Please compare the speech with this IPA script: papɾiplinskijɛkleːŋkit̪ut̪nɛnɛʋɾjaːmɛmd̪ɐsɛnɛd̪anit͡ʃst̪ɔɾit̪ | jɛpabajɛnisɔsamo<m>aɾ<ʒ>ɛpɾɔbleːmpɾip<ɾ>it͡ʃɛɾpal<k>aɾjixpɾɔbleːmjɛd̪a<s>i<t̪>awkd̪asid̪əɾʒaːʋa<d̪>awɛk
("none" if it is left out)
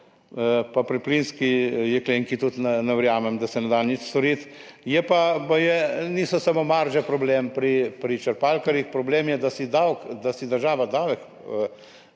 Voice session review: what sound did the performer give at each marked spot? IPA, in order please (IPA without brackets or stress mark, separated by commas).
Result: m, ʒ, ɾ, k, s, d̪, d̪